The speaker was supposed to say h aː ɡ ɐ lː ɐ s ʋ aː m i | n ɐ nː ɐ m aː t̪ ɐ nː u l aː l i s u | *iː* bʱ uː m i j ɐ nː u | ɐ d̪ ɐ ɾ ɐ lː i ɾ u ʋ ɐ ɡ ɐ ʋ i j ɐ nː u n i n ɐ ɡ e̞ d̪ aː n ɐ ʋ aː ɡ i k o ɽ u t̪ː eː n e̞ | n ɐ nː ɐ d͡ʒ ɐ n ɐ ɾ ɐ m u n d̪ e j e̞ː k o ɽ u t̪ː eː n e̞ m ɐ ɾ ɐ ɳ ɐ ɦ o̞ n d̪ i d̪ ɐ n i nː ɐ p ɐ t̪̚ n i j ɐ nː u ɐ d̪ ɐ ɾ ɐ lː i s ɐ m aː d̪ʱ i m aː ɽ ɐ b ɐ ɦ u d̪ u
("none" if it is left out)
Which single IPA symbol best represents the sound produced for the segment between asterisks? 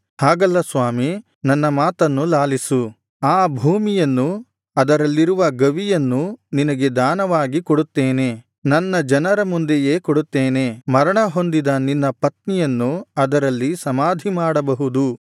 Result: aː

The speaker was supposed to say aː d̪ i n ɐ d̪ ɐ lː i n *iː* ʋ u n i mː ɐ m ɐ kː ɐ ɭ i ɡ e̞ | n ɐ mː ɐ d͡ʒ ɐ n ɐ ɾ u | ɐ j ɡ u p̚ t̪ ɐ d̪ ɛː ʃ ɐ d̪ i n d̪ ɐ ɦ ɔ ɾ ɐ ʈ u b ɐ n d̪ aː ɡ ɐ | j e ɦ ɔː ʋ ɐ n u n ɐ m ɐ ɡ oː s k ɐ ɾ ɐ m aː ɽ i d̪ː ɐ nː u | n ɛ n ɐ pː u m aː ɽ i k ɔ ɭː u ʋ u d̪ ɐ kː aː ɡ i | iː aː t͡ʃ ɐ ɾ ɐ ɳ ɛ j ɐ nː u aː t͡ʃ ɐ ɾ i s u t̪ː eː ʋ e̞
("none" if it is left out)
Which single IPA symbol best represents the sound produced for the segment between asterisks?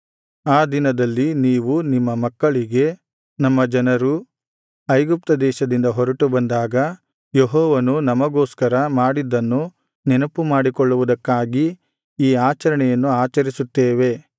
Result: iː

